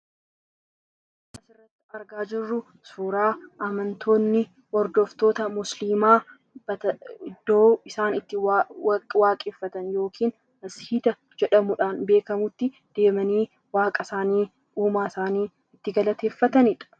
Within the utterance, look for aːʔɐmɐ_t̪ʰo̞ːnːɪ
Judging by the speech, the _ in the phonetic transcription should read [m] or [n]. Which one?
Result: n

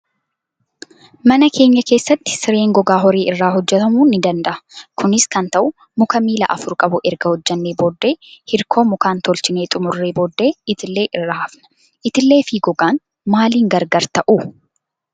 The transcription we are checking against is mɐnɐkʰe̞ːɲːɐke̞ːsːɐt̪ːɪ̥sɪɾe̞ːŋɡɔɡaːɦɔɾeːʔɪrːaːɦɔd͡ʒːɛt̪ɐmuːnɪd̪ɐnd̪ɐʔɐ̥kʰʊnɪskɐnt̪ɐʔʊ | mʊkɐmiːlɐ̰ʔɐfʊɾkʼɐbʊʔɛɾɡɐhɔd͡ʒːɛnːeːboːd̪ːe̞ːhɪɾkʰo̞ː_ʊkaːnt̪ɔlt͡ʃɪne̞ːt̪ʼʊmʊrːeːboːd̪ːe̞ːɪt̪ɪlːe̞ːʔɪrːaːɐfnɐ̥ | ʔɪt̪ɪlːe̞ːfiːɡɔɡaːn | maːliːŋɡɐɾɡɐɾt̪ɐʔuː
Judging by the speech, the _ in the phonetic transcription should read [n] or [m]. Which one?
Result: m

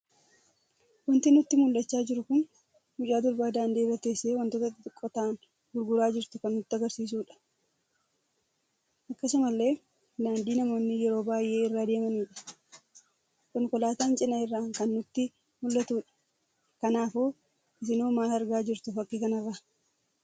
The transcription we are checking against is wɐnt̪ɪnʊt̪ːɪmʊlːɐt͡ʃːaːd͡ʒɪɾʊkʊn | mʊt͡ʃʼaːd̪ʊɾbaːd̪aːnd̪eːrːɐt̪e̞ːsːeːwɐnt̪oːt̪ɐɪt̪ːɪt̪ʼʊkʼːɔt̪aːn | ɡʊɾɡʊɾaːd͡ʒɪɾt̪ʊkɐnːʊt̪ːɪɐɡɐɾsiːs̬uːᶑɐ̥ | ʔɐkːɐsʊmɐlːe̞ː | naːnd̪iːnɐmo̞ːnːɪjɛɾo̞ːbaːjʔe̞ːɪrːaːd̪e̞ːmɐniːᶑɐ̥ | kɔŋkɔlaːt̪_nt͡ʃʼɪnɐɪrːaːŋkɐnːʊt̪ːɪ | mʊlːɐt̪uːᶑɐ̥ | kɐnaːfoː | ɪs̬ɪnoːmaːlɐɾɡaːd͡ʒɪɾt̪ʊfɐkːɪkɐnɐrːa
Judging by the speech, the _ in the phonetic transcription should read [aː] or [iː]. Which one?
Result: aː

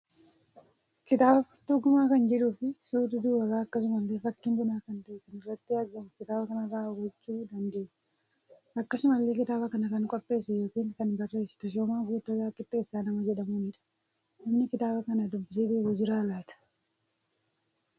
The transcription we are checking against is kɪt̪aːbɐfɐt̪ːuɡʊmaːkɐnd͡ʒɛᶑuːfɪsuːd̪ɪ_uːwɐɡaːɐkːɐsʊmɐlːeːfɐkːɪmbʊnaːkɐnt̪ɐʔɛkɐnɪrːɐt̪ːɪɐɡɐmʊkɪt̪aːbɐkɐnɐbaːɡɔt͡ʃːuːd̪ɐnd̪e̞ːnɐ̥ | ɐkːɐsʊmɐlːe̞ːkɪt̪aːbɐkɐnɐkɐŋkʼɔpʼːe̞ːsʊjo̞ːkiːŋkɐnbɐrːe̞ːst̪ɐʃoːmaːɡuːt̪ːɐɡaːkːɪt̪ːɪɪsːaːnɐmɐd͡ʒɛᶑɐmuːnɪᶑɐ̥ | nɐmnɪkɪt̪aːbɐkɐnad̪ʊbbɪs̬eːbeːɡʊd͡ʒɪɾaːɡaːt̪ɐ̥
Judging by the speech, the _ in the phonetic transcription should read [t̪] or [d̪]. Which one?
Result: d̪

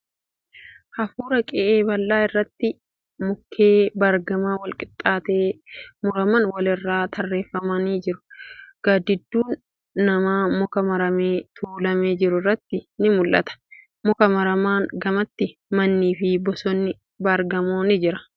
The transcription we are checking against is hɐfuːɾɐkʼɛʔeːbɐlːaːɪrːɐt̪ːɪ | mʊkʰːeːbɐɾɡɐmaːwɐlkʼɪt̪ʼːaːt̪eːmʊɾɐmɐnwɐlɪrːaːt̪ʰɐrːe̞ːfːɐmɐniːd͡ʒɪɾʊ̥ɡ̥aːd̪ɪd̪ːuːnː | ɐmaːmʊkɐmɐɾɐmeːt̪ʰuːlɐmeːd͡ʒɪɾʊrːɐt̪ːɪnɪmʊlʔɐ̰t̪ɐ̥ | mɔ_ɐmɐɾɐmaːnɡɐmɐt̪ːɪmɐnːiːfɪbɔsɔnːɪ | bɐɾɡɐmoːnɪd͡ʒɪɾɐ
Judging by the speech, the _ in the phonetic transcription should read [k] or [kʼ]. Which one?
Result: k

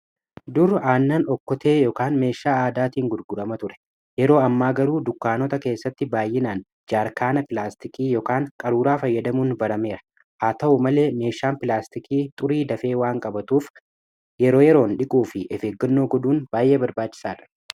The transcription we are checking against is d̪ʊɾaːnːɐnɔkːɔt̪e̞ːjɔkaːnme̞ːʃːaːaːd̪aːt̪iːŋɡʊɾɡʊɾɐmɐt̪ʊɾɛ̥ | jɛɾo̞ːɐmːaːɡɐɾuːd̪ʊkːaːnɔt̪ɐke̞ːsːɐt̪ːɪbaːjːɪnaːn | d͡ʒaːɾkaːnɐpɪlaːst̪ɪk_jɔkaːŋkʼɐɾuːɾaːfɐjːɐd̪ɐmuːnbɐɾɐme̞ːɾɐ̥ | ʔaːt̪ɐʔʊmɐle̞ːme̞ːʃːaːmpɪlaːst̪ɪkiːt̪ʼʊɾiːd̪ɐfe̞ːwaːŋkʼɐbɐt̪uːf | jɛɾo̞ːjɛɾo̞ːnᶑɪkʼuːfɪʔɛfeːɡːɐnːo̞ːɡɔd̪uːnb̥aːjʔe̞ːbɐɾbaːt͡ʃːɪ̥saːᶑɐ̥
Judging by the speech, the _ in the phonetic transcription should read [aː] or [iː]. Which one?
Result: iː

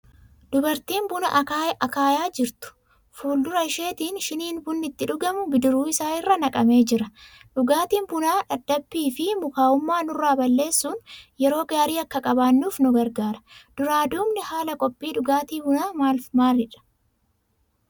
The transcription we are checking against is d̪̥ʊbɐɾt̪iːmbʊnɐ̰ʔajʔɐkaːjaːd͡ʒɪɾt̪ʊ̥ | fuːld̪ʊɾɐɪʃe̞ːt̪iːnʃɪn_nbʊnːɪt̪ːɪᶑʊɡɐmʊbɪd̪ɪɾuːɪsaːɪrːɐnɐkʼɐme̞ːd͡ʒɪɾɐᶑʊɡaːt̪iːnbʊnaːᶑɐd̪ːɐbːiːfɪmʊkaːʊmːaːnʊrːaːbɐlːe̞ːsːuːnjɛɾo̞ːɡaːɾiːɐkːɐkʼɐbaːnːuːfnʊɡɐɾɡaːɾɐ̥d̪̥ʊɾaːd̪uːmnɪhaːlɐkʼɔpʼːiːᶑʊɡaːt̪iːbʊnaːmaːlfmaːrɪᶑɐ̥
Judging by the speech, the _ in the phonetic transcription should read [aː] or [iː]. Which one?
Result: iː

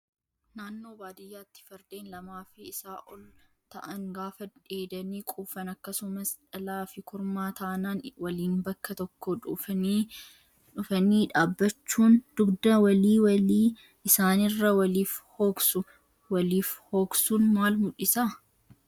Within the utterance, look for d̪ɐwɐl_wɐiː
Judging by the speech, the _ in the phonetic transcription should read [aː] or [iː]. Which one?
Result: iː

